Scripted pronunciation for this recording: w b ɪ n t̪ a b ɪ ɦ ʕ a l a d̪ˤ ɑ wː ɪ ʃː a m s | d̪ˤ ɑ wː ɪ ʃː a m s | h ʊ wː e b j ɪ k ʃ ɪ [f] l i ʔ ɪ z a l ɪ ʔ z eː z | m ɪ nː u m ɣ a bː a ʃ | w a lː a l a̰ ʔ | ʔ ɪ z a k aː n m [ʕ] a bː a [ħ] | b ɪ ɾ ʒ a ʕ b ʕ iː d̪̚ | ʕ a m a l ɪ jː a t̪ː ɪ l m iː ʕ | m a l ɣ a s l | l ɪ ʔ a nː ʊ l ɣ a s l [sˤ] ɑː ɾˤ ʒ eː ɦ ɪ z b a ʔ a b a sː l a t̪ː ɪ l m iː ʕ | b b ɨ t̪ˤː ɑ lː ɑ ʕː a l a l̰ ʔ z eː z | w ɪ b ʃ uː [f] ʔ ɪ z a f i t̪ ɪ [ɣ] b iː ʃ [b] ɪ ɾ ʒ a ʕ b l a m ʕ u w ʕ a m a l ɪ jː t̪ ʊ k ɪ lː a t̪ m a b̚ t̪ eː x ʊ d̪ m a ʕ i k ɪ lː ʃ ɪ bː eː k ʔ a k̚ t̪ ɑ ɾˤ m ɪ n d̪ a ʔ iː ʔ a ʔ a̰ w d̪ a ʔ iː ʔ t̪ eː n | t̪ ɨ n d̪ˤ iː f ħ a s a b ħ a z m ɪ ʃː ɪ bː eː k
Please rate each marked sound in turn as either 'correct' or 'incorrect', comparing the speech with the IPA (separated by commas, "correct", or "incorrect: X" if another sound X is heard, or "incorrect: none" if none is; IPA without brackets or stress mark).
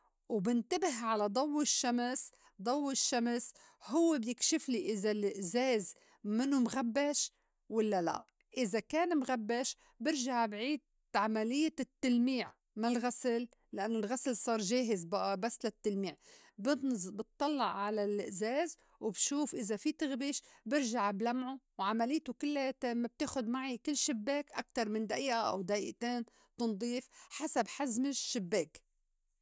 correct, incorrect: ɣ, incorrect: ʃ, correct, correct, correct, correct